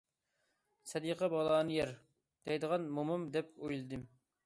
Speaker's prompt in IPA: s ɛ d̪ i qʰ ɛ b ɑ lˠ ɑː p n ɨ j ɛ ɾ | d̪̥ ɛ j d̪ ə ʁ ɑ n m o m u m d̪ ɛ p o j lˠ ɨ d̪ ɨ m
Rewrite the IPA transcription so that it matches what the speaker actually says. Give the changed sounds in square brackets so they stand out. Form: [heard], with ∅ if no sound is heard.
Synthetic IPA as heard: s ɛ d̪ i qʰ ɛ b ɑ lˠ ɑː [∅] n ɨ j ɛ ɾ | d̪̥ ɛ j d̪ ə ʁ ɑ n m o m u m d̪ ɛ p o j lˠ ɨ d̪ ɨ m